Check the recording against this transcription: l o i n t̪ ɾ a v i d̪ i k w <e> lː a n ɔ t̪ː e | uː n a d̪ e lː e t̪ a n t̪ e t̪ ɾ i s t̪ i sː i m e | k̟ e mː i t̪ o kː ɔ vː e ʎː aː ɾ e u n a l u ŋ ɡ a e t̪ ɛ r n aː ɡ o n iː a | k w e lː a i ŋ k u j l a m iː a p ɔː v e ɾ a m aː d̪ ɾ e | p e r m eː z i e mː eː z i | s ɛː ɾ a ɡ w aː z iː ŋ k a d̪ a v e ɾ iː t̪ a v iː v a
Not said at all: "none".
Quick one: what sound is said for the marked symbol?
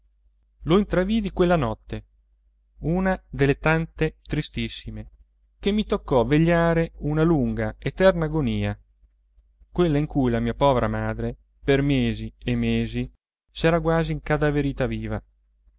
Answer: e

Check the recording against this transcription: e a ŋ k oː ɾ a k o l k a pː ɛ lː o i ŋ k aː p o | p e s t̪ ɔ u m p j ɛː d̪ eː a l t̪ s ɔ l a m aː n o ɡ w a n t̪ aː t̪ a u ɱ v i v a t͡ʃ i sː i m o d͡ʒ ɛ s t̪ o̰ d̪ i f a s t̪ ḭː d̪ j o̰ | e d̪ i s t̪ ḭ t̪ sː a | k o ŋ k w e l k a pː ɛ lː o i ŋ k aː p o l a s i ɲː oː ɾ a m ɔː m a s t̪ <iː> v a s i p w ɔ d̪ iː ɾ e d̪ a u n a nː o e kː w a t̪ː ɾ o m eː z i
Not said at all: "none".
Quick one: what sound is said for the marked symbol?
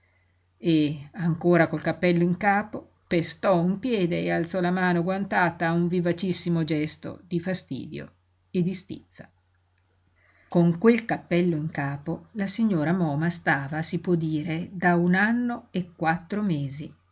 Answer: aː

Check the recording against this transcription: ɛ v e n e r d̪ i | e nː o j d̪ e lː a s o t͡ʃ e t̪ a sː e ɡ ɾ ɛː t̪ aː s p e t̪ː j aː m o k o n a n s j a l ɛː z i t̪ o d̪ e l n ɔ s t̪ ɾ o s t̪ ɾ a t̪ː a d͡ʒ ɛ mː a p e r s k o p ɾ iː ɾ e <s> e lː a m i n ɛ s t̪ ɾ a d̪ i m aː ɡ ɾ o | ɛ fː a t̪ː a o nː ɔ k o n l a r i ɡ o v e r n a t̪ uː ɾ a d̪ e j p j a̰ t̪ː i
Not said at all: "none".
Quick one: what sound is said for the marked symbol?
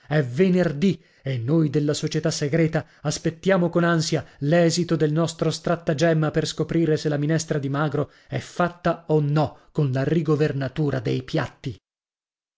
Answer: s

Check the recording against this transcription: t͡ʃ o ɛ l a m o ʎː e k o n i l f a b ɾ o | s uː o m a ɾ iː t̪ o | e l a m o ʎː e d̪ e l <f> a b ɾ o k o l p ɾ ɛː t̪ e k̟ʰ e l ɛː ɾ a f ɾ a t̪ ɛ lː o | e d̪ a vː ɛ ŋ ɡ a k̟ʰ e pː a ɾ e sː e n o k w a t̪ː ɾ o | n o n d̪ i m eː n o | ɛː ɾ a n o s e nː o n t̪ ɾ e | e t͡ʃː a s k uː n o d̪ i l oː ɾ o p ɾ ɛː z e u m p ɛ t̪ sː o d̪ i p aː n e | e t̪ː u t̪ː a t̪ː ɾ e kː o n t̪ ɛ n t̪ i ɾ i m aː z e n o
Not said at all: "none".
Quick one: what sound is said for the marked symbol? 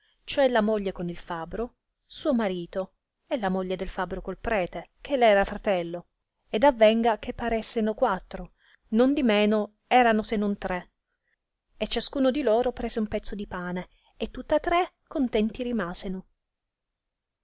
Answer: f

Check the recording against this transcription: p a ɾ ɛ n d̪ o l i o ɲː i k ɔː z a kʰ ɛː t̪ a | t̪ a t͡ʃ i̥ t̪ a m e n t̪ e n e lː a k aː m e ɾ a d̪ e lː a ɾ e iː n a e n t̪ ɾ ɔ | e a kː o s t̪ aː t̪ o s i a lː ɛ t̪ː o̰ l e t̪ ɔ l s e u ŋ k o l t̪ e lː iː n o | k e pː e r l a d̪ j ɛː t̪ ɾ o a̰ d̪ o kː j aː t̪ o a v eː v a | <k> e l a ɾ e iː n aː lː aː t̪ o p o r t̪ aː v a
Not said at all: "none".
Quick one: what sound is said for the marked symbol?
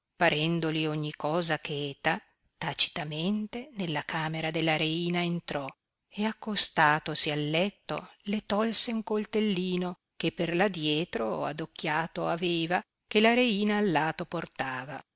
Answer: k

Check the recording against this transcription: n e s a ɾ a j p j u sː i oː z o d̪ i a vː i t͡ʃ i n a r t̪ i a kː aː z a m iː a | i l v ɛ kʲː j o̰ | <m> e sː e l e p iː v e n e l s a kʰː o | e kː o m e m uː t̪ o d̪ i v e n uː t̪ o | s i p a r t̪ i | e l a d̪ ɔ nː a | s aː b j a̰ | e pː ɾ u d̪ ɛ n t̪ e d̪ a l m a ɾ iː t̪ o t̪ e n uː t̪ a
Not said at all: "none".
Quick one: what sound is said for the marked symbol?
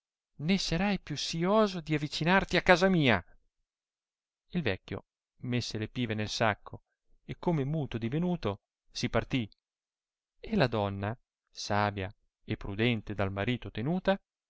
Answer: m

